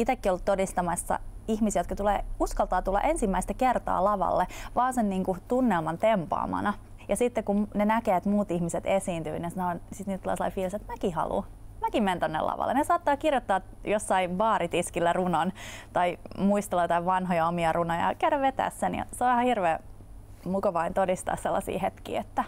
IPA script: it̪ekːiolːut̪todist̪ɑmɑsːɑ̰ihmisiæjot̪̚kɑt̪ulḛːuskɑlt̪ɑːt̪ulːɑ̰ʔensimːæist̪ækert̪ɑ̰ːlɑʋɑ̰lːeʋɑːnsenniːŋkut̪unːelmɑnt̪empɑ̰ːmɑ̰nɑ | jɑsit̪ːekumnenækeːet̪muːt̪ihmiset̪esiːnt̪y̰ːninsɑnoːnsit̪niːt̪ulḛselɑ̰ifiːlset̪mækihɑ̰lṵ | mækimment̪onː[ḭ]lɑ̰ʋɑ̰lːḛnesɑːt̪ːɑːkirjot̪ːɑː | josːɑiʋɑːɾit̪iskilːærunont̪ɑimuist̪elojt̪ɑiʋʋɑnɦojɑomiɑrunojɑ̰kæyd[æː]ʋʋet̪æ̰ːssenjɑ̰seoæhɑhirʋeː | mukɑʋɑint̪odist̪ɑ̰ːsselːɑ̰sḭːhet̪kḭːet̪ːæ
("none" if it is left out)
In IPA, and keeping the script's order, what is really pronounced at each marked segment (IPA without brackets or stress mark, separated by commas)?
ḛ, æ